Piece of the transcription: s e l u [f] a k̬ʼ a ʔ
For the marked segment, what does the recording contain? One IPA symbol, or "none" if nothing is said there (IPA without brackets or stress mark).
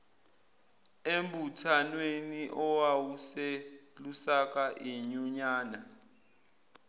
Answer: s